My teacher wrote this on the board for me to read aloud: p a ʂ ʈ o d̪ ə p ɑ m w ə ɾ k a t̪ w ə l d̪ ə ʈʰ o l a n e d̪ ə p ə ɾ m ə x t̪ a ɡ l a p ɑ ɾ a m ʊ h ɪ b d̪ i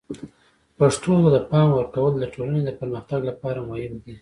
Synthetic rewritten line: p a ʂ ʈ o d̪ ə p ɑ m w ə ɾ k a w ə l d̪ ə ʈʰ o l a n e d̪ ə p ə ɾ m ə x t̪ a ɡ l a p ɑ ɾ a m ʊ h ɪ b d̪ i